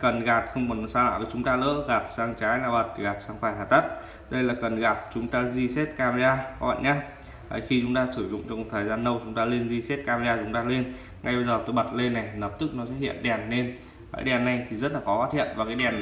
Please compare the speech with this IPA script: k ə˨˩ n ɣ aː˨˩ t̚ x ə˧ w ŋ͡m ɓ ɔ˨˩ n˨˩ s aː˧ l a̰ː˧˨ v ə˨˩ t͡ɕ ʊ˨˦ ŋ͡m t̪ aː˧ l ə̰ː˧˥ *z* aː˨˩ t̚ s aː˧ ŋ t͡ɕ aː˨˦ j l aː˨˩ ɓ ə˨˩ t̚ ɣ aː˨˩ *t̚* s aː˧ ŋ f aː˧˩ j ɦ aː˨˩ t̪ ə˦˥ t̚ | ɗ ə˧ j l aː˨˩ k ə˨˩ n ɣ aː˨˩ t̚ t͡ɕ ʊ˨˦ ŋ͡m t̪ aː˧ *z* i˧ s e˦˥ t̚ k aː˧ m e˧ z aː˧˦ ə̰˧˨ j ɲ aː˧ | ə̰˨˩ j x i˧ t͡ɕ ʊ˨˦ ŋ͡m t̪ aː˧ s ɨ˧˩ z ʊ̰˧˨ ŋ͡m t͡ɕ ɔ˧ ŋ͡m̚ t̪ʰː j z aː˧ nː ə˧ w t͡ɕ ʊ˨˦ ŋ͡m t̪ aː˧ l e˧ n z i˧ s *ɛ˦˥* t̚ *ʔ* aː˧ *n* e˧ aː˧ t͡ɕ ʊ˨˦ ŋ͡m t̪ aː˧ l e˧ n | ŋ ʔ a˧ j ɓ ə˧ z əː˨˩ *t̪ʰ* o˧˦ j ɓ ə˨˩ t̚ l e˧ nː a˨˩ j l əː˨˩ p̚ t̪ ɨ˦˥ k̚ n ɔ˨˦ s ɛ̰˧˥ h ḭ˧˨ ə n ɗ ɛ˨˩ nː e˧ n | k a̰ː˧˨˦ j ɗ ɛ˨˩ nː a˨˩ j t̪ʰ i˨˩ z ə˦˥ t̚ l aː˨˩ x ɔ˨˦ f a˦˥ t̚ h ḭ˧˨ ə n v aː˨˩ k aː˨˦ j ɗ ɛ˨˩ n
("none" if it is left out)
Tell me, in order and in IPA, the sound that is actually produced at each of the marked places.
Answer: ɣ, t̚, z, e˦˥, k, m, t̪

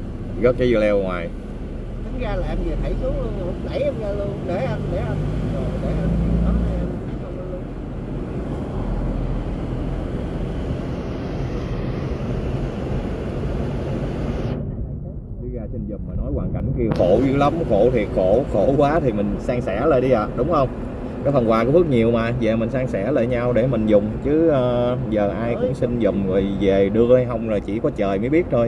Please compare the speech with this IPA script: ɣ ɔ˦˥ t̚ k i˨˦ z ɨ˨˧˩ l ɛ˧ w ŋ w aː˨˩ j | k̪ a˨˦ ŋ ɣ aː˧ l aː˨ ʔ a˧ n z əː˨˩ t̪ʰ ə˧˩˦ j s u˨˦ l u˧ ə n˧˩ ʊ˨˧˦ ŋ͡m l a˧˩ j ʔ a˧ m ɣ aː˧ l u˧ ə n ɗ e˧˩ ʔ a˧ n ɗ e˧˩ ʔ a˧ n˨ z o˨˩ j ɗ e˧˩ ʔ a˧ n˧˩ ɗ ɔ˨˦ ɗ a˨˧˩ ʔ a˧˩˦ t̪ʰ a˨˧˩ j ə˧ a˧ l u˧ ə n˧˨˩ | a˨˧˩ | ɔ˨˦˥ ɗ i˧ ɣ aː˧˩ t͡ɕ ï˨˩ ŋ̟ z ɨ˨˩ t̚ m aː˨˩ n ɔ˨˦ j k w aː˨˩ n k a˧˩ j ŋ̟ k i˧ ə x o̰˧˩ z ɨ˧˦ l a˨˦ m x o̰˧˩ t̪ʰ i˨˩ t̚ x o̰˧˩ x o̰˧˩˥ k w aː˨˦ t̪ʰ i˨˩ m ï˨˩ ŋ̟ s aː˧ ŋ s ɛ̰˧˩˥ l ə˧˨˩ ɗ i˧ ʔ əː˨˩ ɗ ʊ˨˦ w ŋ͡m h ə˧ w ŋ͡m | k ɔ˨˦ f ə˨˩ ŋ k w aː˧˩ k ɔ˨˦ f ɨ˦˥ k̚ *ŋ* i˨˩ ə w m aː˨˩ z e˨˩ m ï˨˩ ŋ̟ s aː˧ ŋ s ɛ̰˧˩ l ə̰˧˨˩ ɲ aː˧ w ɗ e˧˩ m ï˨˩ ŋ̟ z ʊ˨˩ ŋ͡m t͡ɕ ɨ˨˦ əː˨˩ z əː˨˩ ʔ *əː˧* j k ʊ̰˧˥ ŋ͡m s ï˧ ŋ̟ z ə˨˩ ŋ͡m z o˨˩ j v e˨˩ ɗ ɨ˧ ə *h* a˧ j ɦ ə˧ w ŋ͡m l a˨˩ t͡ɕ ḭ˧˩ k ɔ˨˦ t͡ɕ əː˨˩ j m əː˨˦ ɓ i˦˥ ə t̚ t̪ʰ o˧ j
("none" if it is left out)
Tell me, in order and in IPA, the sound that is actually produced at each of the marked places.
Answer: ɲ, aː˧, h

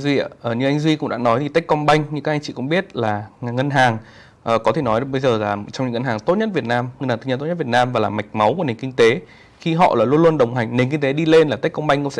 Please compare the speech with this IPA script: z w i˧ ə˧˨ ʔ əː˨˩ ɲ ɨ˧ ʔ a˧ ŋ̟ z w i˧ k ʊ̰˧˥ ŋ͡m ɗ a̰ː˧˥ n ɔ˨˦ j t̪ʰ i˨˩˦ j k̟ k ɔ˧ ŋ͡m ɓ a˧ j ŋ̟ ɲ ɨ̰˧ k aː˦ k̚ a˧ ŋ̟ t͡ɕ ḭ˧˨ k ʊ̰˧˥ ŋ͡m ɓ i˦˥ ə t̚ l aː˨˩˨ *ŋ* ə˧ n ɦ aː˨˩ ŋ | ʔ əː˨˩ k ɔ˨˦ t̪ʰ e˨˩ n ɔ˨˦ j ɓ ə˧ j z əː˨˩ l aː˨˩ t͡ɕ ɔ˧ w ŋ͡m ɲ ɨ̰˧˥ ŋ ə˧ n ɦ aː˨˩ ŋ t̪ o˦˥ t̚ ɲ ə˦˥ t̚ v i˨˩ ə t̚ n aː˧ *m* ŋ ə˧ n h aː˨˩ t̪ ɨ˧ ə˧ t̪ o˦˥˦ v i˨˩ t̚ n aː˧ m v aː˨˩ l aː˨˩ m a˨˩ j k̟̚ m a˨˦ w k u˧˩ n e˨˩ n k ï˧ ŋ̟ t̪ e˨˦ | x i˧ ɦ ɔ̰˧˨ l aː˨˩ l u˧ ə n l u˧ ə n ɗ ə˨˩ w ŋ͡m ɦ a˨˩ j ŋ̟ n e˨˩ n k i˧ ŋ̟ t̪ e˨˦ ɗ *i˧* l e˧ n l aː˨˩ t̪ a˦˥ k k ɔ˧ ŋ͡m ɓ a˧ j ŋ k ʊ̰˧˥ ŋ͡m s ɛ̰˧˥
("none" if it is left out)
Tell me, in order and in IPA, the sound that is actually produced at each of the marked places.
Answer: ŋ, m, i˧

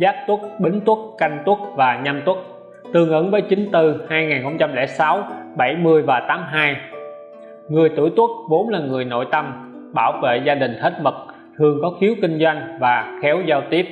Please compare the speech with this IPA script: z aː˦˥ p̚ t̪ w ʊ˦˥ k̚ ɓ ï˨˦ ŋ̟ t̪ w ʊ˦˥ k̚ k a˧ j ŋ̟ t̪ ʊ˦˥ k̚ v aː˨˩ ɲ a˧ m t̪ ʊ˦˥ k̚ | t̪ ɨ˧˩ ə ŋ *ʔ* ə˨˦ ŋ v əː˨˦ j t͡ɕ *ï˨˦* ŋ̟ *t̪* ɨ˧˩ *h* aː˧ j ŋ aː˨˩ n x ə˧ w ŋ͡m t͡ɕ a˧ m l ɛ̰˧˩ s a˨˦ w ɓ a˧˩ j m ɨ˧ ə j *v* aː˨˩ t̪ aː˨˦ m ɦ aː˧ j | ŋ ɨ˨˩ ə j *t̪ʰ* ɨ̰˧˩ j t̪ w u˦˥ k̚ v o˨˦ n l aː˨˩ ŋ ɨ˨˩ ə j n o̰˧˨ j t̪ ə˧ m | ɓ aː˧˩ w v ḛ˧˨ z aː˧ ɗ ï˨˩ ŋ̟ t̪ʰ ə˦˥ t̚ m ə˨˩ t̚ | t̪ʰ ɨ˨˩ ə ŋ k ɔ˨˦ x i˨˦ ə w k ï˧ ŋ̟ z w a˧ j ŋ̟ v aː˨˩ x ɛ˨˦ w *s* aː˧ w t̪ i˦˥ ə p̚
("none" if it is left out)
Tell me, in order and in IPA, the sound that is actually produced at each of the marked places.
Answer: ʔ, ï˨˦, t̪, h, v, t̪, z

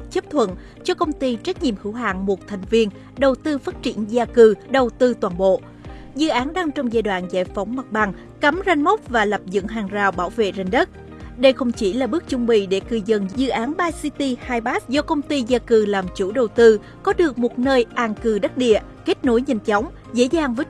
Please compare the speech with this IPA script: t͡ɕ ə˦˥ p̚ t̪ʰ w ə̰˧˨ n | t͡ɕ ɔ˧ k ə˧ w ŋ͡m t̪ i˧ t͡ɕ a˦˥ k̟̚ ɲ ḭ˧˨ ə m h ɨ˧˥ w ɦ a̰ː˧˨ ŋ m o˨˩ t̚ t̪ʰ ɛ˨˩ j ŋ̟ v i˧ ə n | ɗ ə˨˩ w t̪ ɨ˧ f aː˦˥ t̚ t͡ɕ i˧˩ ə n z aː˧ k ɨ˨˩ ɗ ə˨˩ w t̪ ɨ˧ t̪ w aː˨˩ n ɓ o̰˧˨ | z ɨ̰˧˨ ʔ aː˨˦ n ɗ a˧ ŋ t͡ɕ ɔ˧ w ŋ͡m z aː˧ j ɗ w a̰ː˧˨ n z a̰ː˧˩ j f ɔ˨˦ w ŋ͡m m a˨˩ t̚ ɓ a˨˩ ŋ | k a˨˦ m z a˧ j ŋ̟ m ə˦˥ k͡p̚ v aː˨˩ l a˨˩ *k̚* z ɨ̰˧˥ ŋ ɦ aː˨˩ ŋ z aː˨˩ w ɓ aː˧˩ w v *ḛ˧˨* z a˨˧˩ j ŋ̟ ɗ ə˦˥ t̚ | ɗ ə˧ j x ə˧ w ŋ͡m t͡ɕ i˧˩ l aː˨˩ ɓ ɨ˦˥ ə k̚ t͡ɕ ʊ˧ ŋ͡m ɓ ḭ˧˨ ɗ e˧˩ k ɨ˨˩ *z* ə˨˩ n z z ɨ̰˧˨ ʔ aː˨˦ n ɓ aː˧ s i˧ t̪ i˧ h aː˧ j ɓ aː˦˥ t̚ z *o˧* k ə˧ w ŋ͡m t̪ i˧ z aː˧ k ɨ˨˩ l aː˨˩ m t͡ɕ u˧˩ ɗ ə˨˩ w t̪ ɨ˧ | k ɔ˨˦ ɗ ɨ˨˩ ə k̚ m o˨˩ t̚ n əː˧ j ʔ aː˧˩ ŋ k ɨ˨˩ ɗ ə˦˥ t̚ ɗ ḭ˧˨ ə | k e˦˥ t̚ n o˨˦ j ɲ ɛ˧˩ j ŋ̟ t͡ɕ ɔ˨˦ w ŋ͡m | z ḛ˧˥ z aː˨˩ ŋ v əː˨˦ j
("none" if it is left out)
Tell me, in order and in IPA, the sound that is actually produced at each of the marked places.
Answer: p̚, ḛ˧˨, z, ɔ˧

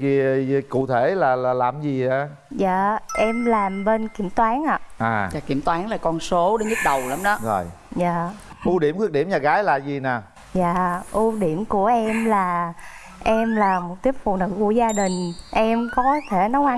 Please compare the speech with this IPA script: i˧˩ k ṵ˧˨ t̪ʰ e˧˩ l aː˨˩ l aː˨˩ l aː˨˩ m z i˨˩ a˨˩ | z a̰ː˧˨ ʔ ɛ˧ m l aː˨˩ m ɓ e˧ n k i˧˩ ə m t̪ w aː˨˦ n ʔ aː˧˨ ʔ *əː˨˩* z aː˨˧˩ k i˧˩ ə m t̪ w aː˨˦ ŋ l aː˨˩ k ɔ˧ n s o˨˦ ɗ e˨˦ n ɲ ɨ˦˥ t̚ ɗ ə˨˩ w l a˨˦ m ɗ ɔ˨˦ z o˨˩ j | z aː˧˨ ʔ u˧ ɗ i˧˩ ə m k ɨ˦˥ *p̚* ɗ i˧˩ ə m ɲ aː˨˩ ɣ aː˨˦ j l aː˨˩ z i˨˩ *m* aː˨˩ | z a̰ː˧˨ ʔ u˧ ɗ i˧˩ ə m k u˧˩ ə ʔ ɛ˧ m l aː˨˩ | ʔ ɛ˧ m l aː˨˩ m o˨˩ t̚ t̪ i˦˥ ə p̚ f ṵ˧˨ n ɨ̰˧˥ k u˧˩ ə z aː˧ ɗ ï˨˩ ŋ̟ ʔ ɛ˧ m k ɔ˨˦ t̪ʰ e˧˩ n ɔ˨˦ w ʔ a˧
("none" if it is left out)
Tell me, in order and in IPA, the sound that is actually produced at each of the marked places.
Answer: aː˨˩, k̚, n

